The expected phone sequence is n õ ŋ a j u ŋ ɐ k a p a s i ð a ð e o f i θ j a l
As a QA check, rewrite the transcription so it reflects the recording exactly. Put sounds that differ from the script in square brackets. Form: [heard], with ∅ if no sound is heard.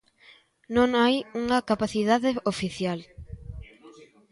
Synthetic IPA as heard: n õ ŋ a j u ŋ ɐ k a p a [θ] i ð a ð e o f i θ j a l